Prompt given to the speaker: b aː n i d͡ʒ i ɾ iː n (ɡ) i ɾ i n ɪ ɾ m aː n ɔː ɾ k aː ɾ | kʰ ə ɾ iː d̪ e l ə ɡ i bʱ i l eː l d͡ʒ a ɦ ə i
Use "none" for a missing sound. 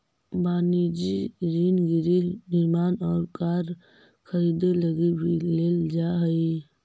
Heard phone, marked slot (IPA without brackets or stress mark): ɡ